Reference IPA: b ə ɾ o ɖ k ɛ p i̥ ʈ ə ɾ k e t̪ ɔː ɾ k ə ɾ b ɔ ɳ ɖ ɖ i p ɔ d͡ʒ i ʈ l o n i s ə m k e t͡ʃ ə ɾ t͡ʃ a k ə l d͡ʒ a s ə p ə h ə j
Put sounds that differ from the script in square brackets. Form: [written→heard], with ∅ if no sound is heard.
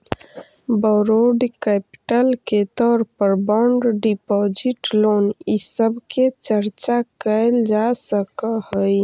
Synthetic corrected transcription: b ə ɾ o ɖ k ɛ p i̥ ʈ ə [ɾ→l] k e t̪ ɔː ɾ [k→p] ə ɾ b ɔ ɳ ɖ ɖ i p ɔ d͡ʒ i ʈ l o n i s ə [m→b] k e t͡ʃ ə ɾ t͡ʃ a k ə l d͡ʒ a s ə [p→k] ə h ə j